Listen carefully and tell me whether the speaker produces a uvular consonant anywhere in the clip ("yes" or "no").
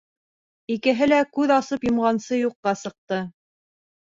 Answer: yes